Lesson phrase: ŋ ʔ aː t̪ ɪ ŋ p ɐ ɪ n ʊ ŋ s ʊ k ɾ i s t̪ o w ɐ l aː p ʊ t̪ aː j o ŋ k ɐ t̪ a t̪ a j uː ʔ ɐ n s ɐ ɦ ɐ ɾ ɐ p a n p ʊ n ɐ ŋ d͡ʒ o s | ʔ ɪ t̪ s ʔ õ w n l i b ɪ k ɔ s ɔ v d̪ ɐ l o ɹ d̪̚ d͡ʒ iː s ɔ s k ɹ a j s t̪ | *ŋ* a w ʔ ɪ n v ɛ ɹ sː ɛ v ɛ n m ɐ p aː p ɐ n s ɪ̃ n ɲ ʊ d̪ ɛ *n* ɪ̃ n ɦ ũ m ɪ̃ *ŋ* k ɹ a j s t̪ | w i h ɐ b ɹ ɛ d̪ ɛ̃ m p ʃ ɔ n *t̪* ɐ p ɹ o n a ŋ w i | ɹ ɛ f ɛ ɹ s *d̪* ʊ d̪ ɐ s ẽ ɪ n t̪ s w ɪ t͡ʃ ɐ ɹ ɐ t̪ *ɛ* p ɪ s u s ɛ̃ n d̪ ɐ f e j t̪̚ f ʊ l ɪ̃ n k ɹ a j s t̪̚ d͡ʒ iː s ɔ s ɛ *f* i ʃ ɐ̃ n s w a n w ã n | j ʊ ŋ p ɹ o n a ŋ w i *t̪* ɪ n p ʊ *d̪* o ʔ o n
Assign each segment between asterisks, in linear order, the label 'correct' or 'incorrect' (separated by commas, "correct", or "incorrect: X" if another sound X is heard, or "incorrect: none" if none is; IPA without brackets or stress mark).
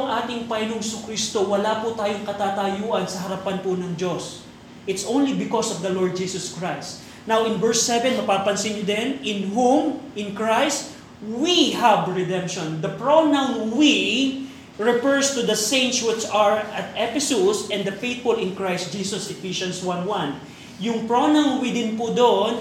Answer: incorrect: n, correct, incorrect: n, incorrect: d̪, incorrect: t̪, correct, correct, incorrect: d̪, correct